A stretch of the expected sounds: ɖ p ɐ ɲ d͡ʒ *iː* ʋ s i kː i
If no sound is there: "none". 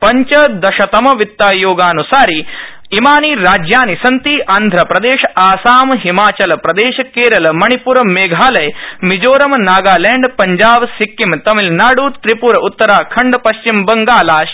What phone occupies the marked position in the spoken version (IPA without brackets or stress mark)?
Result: aː